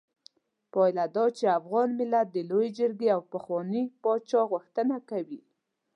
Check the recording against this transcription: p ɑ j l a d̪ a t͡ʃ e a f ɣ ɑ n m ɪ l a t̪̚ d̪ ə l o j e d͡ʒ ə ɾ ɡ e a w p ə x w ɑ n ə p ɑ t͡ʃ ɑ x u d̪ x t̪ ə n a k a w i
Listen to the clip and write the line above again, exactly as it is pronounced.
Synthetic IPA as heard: p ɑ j l a d̪ ɑ t͡ʃ e a f ɣ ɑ n m ɪ l a t̪̚ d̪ ə l o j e d͡ʒ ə ɾ ɡ e a w p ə x w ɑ n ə p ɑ t͡ʃ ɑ ɣ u x t̪ ə n a k a w i